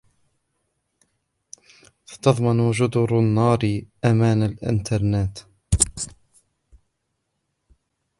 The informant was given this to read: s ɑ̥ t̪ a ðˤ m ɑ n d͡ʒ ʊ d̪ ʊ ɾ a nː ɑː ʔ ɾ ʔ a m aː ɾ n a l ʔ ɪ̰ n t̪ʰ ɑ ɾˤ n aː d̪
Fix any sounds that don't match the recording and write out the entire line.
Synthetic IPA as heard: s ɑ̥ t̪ ɑ ðˤ m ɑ n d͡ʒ ʊ d̪ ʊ ɾ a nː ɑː ɾ ʔ a m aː n a l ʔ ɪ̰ n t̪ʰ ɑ ɾˤ n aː t̪

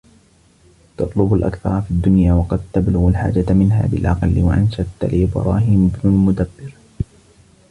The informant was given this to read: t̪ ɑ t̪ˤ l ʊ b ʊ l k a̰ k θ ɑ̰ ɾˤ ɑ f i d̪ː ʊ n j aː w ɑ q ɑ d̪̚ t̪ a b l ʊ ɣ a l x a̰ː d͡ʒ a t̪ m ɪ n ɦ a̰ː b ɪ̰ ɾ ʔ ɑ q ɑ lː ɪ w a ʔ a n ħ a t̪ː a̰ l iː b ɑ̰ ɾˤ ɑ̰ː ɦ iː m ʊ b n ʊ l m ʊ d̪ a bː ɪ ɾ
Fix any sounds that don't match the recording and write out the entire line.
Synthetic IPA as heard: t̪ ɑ t̪ˤ l ʊ b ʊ l ʔ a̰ k θ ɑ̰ ɾˤ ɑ f i d̪ː ʊ n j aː w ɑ q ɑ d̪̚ t̪ a b l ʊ ɣ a l ħ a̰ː d͡ʒ a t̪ m ɪ n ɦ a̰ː b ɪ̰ l ʔ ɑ q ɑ lː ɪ w a ʔ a n ʃ a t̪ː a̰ l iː b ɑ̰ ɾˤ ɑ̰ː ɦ iː m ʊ b n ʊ l m ʊ d̪ a bː ɪ ɾ

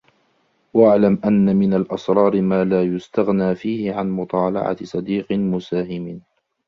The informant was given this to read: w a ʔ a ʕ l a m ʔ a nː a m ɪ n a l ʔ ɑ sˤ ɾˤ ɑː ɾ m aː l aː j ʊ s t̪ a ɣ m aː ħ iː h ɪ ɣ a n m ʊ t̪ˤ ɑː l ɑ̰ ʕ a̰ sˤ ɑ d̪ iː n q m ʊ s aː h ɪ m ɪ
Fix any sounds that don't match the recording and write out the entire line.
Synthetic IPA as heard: w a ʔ a ʕ l a m ʔ a nː a m ɪ n a l ʔ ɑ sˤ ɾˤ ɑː ɾ m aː l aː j ʊ s t̪ a ɣ n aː f iː h ɪ ʕ a n m ʊ t̪ˤ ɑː l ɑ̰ ʕ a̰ sˤ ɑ d̪ iː q m ʊ s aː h ɪ m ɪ

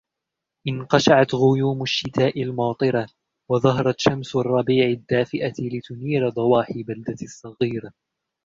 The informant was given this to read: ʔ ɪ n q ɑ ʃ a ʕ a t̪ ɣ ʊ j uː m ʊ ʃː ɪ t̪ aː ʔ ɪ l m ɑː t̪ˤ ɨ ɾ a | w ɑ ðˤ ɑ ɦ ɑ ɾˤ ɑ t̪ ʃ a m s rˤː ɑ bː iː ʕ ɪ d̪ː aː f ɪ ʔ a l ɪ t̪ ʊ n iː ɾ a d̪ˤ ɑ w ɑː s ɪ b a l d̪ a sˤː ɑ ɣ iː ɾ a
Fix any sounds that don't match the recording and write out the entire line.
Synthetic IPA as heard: ʔ ɪ n q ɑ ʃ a ʕ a t̪ ɣ ʊ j uː m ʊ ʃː ɪ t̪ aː ʔ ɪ l m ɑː t̪ˤ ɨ ɾ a | w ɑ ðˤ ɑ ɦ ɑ ɾˤ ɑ t̪ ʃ a m s rˤː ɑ b iː ʕ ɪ d̪ː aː f ɪ ʔ a l ɪ t̪ ʊ n iː ɾ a d̪ˤ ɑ w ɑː ħ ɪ b a l d̪ a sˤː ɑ ɣ iː ɾ a

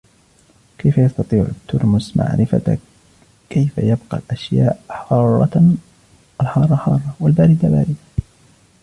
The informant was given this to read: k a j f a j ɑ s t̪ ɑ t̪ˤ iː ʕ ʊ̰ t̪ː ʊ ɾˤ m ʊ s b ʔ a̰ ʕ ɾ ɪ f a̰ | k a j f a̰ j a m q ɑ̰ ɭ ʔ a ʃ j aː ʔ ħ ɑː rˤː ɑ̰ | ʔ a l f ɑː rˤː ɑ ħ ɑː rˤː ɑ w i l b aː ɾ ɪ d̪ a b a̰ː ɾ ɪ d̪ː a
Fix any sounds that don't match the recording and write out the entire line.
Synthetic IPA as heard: k a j f a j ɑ s t̪ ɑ t̪ˤ iː ʕ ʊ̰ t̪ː ʊ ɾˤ m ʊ s m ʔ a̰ ʕ ɾ ɪ f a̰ | k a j f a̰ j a b q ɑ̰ l ʔ a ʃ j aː ʔ ħ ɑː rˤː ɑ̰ | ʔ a l ħ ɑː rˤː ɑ ħ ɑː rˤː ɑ w a l b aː ɾ ɪ d̪ a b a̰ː ɾ ɪ d̪ a

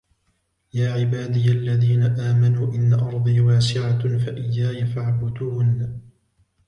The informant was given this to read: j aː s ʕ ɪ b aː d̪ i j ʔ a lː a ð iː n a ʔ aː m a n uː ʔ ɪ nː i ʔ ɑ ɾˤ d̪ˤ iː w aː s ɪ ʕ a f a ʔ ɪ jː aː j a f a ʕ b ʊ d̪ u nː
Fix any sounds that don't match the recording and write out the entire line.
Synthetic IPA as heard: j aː ʕ ɪ b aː d̪ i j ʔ a lː a ð iː n a ʔ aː m a n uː ʔ ɪ nː a ʔ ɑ ɾˤ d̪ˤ iː w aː s ɪ ʕ a f a ʔ ɪ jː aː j a f a ʕ b ʊ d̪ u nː

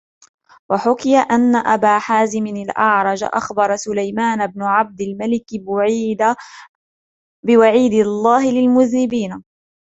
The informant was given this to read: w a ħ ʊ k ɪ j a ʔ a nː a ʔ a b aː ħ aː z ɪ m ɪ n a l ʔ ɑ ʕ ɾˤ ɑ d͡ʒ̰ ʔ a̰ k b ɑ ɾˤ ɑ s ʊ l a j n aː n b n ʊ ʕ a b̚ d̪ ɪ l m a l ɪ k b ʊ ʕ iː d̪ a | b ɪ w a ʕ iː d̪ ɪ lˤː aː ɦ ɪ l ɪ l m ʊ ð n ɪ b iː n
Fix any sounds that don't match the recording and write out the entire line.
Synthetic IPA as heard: w a ħ ʊ k ɪ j a ʔ a nː a ʔ a b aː ħ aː z ɪ m ɪ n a l ʔ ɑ ʕ ɾˤ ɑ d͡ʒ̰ ʔ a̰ x b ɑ ɾˤ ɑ s ʊ l a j m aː n b n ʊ ʕ a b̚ d̪ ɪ l m a l ɪ k b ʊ ʕ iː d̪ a | b ɪ w a ʕ iː d̪ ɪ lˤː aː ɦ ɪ l ɪ l m ʊ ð n ɪ b iː n

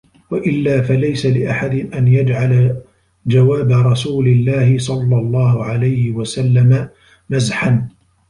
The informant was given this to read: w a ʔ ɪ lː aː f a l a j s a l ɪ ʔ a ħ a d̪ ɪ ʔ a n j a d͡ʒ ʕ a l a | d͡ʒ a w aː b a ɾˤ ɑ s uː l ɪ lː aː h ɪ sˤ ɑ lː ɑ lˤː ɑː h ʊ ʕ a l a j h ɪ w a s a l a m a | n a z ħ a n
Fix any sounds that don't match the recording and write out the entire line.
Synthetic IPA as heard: w a ʔ ɪ lː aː f a l a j s a l ɪ ʔ a ħ a d̪ ɪ ʔ a n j a d͡ʒ ʕ a l a | d͡ʒ a w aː b a ɾˤ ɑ s uː l ɪ lː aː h ɪ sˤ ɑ lː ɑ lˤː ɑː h ʊ ʕ a l a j h ɪ w a s a lː a m a | n a z ħ a n

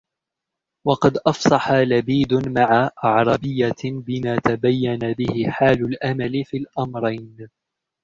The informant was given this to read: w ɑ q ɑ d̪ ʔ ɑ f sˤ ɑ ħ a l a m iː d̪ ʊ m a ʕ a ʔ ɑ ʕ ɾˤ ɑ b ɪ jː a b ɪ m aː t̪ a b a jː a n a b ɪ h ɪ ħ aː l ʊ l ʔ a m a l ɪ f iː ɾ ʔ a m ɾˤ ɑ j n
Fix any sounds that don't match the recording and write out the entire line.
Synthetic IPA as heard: w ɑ q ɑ d̪ ʔ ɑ f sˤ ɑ ħ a l a b iː d̪ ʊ m a ʕ a ʔ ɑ ʕ ɾˤ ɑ b ɪ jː a b ɪ m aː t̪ a b a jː a n a b ɪ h ɪ ħ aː l ʊ l ʔ a m a l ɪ f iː l ʔ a m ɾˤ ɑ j n

